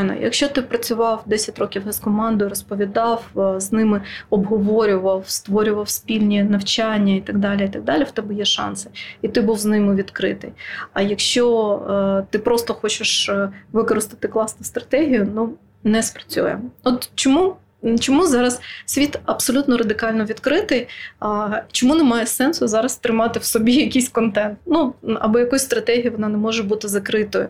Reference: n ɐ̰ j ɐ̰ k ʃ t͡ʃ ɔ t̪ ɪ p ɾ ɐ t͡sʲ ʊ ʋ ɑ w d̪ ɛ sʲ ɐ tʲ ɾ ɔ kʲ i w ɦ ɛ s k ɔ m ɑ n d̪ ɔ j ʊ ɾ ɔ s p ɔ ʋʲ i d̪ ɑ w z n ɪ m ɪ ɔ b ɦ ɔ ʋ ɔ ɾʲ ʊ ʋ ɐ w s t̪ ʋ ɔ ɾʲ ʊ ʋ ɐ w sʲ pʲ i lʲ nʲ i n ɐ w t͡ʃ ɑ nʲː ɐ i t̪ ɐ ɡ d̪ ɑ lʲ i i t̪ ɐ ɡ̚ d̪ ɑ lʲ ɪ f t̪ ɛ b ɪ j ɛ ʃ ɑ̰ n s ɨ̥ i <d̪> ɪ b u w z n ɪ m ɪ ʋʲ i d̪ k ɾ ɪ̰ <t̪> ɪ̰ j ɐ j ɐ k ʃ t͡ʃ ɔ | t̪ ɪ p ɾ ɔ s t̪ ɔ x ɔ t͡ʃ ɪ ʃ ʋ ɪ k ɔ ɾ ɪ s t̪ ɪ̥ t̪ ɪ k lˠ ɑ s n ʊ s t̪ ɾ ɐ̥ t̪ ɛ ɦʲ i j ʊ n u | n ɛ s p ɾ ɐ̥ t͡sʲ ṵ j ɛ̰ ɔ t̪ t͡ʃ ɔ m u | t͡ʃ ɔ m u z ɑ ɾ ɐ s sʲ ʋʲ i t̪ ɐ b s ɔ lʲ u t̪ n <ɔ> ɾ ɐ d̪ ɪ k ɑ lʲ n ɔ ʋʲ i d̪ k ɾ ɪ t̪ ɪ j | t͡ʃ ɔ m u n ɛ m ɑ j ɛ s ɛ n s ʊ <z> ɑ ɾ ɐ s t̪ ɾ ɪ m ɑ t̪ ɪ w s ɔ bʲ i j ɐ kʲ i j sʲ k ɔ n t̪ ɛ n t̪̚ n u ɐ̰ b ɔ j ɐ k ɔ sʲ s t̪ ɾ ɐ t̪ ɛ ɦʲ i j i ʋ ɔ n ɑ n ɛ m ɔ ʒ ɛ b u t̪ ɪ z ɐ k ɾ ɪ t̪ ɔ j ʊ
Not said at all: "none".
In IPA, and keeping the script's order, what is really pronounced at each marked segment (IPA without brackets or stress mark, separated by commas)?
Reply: t̪, t̪, ɔ, z